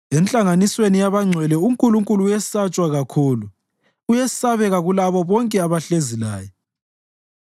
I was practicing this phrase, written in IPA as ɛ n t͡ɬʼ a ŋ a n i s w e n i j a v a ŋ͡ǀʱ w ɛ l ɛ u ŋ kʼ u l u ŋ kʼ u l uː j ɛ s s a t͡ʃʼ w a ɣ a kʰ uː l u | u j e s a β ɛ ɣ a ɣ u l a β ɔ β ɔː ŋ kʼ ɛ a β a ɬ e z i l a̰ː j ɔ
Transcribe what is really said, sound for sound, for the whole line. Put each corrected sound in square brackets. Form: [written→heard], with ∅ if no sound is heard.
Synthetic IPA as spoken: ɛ n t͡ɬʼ a ŋ a n i s w e n i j a [v→β] a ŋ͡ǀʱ w ɛ l ɛ u ŋ kʼ u l u ŋ kʼ u l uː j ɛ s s a t͡ʃʼ w a ɣ a kʰ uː l u | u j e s a β ɛ ɣ a ɣ u l a β ɔ β [ɔː→ɔ] ŋ kʼ ɛ a β a ɬ e z i l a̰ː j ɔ